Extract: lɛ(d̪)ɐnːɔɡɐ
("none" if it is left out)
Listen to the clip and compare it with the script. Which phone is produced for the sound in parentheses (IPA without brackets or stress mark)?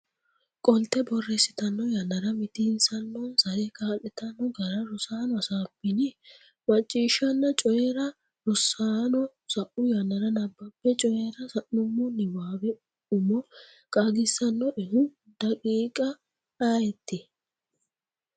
t̪